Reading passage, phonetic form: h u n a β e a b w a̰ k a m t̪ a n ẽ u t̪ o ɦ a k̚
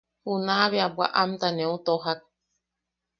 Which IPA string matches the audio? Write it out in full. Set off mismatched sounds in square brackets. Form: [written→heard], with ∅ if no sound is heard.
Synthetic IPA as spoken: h u n a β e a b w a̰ [k→ʔ] a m t̪ a n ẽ u t̪ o ɦ a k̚